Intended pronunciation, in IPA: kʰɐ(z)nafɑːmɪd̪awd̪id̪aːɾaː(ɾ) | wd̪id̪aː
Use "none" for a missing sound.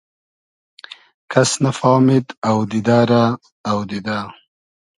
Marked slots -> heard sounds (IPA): s, none

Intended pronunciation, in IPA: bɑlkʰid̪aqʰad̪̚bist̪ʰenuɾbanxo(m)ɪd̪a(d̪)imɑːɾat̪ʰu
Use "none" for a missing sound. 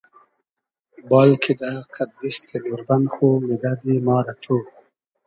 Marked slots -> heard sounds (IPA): m, d̪

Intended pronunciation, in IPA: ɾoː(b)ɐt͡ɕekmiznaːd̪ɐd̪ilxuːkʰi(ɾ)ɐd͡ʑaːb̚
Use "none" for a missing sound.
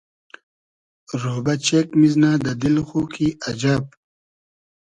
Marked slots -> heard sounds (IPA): b, none

